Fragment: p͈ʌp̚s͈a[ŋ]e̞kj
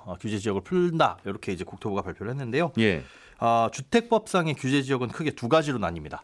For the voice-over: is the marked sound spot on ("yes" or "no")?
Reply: yes